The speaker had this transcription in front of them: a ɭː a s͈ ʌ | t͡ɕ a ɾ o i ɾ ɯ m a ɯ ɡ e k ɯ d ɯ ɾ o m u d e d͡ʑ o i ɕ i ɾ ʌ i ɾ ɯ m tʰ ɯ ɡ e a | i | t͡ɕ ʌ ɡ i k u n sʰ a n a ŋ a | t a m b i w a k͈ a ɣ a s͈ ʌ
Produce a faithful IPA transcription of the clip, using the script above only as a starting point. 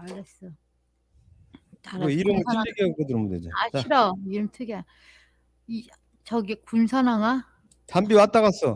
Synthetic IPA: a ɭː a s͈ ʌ | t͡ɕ a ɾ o i ɾ ɯ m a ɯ ɡ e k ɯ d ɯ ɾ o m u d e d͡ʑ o a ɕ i ɾ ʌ i ɾ ɯ m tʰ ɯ ɡ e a | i | t͡ɕ ʌ ɡ i k u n sʰ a n a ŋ a | t a m b i w a t͈ a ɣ a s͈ ʌ

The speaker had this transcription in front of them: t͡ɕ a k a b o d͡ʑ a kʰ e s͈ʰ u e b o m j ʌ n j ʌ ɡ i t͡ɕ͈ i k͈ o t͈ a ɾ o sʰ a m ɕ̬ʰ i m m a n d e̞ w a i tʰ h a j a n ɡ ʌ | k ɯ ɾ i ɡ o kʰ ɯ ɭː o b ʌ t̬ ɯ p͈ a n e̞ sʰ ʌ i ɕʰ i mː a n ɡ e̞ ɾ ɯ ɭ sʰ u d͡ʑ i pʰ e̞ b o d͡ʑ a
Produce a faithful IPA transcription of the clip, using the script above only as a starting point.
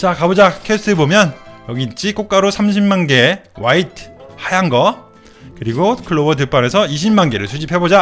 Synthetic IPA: t͡ɕ a k a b o d͡ʑ a kʰ e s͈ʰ ɯ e b o m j ʌ n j ʌ ɡ i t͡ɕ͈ i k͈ o k͈ a ɾ o sʰ a m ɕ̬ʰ i m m a n ɡ e̞ w a i tʰ h a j a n ɡ ʌ | k ɯ ɾ i ɡ o kʰ ɯ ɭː o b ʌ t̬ ɯ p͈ a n e̞ sʰ ʌ i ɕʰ i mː a n ɡ e̞ ɾ ɯ ɭ sʰ u d͡ʑ i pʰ e̞ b o d͡ʑ a

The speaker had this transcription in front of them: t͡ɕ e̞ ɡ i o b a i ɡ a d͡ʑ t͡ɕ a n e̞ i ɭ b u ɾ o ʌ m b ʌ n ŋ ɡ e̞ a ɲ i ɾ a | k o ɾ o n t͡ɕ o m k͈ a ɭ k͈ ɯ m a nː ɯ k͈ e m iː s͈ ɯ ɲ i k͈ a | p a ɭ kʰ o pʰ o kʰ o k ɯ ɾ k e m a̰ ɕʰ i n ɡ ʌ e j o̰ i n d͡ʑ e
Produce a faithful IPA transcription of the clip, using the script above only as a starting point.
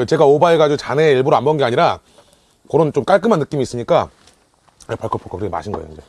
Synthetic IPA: t͡ɕ e̞ ɡ a o b a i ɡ a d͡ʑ t͡ɕ a n e̞ i ɭ b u ɾ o a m b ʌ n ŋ ɡ e̞ a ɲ i ɾ a | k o ɾ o n t͡ɕ o m k͈ a ɭ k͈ ɯ m a nː ɯ k͈ i m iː s͈ ɯ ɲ i k͈ a | p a ɭ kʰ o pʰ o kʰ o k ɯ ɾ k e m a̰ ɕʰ i n ɡ ʌ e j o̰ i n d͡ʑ e

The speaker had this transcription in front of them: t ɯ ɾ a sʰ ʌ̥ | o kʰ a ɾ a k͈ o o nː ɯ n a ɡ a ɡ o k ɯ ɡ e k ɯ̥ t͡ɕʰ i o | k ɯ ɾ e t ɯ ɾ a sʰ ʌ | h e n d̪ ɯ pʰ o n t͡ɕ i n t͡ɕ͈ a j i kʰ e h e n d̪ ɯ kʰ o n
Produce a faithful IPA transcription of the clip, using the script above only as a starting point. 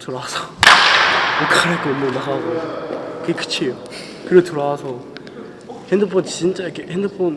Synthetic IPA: t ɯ ɾ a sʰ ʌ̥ | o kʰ a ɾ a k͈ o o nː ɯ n a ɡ a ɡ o k ɯ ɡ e k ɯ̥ t͡ɕʰ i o | k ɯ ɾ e t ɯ ɾ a sʰ ʌ | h e n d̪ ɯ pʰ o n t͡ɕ i n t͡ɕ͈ a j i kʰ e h e n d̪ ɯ pʰ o n

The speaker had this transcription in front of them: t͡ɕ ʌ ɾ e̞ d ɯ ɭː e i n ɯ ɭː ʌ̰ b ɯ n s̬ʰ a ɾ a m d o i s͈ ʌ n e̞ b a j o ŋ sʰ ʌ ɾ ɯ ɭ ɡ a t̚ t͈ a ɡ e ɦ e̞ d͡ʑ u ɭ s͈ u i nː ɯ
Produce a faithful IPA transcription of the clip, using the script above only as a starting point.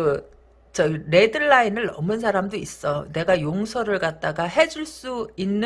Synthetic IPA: t͡ɕ ʌ ɾ e̞ d ɯ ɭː a i n ɯ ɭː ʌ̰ m ɯ n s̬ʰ a ɾ a m d o i s͈ ʌ n e̞ ɡ a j o ŋ sʰ ʌ ɾ ɯ ɭ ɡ a t̚ t͈ a ɡ a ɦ e̞ d͡ʑ u ɭ s͈ u i nː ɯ

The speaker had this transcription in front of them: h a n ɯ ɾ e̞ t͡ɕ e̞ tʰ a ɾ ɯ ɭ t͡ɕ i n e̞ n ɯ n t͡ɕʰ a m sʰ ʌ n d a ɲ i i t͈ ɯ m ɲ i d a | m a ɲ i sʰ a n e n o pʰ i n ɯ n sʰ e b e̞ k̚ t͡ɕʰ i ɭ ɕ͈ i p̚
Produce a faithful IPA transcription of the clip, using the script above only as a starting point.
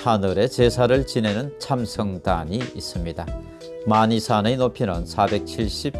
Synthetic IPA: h a n ɯ ɾ e̞ t͡ɕ e̞ sʰ a ɾ ɯ ɭ t͡ɕ i n e̞ n ɯ n t͡ɕʰ a m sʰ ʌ ŋ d a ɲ i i s͈ ɯ m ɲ i d a | m a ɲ i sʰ a n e n o pʰ i n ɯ n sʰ a b e̞ k̚ t͡ɕʰ i ɭ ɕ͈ i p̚

